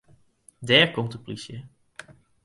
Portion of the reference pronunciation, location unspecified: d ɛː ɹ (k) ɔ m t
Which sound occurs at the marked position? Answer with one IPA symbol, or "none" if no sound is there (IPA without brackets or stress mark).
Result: k